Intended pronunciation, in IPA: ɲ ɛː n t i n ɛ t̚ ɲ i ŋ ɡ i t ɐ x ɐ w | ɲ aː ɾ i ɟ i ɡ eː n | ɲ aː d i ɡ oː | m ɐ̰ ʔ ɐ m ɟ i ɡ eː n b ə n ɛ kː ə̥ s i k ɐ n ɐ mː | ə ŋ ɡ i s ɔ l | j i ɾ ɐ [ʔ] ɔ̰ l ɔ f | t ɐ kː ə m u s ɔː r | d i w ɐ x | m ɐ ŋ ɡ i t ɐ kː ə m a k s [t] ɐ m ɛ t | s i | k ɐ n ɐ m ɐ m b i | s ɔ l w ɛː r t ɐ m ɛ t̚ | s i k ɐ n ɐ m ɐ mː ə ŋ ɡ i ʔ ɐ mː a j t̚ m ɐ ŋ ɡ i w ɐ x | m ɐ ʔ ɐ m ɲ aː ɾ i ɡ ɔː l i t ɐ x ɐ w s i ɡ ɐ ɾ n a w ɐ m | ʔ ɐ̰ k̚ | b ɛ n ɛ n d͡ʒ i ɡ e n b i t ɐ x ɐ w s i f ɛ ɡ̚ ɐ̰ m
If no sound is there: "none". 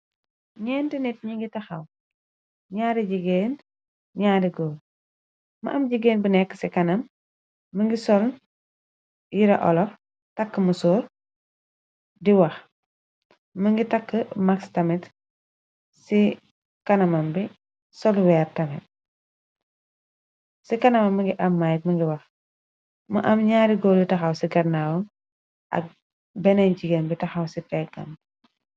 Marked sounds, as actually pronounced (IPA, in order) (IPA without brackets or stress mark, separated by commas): ʔ, t